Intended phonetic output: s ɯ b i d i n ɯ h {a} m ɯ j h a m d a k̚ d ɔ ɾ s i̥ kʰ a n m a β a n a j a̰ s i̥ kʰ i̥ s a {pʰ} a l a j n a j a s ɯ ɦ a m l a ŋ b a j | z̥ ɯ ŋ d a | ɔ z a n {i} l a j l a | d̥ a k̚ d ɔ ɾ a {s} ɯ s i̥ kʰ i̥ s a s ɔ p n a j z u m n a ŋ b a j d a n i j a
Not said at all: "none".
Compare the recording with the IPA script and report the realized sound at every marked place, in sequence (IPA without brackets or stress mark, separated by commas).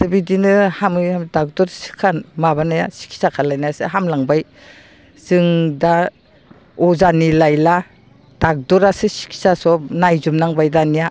a, kʰ, i, s